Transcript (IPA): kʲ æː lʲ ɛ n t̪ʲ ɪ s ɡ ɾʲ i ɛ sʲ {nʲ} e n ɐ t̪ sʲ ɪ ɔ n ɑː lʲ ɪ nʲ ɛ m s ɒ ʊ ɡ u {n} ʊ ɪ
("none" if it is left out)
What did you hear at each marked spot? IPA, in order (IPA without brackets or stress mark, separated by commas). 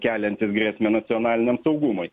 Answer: mʲ, m